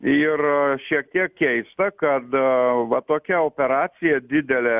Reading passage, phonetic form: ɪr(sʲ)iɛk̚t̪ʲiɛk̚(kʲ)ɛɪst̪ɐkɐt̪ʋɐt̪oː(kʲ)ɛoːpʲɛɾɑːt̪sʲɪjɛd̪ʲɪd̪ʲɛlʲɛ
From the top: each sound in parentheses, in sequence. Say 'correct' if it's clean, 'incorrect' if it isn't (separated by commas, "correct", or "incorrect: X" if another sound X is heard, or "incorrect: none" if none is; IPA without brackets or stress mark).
incorrect: ʃʲ, correct, correct